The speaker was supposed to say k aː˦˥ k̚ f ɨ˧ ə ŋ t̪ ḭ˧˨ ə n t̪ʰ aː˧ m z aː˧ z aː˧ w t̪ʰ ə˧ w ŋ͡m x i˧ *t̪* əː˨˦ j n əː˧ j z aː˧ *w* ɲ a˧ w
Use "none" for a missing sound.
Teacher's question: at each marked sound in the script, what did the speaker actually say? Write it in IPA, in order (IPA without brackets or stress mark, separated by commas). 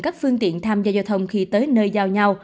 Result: t̪, w